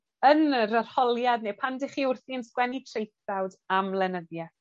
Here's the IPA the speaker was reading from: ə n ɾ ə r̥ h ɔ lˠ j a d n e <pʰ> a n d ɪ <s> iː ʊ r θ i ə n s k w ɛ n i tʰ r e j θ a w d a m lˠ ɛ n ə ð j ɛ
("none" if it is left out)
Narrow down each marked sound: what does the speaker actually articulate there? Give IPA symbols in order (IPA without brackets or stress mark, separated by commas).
pʰ, χ